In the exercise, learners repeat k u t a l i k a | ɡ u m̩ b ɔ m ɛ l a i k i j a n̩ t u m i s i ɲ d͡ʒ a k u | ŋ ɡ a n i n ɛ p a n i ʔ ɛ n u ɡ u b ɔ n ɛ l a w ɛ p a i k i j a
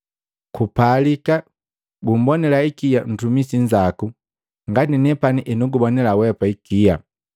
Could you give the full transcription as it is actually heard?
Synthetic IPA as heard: k u p a l i k a | ɡ u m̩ b ɔ n ɛ l a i k i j a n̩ t u m i s i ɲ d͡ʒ a k u | ŋ ɡ a n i n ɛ p a n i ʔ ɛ n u ɡ u b ɔ n ɛ l a w ɛ p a i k i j a